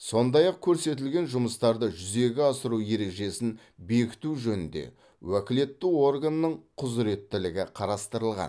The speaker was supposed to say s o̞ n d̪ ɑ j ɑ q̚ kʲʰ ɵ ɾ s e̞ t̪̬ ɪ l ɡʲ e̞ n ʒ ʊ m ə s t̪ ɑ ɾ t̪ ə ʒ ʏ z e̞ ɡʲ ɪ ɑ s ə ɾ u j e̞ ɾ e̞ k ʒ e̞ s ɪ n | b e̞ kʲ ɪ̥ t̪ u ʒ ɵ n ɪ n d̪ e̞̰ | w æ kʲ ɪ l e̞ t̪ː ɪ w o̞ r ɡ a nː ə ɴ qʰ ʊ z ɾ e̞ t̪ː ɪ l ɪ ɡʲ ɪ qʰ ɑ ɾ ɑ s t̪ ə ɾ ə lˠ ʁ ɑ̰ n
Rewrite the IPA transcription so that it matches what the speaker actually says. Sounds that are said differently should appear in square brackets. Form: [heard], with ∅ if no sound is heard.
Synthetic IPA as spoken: s o̞ n d̪ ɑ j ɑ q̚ kʲʰ ɵ ɾ s e̞ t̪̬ ɪ l ɡʲ e̞ n ʒ ʊ m ə s t̪ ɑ ɾ [d̪] ə ʒ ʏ z e̞ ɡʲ ɪ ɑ s ə ɾ u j e̞ ɾ e̞ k ʒ e̞ s ɪ n | b e̞ kʲ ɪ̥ t̪ u ʒ ɵ n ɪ n d̪ e̞̰ | w æ kʲ ɪ l e̞ t̪ː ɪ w o̞ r ɡ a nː ə ɴ qʰ ʊ z ɾ e̞ t̪ː ɪ l ɪ ɡʲ ɪ qʰ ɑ ɾ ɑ s t̪ ə ɾ ə lˠ ʁ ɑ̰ n